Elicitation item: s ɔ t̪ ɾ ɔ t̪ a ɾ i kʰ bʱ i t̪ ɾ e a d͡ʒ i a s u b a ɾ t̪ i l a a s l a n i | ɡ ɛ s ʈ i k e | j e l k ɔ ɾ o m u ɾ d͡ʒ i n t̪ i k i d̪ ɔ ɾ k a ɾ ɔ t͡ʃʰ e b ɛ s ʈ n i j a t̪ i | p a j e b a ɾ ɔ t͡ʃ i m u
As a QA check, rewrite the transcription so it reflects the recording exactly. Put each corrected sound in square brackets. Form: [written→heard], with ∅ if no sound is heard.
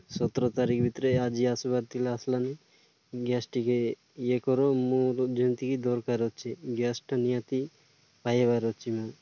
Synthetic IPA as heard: s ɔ t̪ ɾ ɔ t̪ a ɾ i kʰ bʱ i t̪ ɾ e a d͡ʒ i a s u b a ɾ t̪ i l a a s l a n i | ɡ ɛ s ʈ i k e | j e [l→∅] k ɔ ɾ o m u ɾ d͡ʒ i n t̪ i k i d̪ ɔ ɾ k a ɾ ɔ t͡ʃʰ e [b→ɡ] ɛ s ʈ n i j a t̪ i | p a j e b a ɾ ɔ t͡ʃ i m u